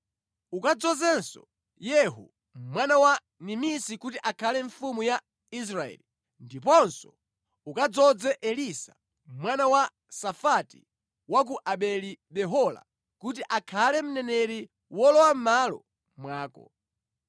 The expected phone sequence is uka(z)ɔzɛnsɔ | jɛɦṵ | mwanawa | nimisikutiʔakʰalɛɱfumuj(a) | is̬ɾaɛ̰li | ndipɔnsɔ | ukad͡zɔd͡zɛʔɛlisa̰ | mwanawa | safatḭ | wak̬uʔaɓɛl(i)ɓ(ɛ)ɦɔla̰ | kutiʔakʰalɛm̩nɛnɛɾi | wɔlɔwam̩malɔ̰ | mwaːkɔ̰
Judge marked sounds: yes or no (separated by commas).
no, yes, yes, yes